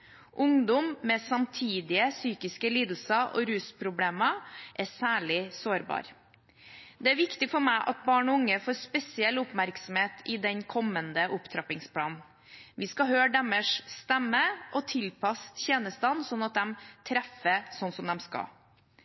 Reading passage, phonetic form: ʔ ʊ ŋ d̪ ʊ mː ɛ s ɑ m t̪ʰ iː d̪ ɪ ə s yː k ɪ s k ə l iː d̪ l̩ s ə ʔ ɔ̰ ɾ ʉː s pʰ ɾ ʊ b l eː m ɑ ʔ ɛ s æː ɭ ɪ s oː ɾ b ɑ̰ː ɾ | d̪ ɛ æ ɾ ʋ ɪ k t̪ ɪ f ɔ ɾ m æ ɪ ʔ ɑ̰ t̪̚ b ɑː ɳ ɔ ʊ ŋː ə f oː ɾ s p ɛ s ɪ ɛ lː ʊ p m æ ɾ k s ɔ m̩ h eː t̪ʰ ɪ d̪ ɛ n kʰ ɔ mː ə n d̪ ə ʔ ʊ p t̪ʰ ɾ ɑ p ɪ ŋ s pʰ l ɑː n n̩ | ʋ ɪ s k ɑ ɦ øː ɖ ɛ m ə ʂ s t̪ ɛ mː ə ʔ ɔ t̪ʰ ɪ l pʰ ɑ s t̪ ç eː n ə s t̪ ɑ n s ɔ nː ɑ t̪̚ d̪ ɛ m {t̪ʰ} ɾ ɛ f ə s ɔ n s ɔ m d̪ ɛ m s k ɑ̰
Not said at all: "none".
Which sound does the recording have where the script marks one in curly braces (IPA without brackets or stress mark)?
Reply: t̪ʰ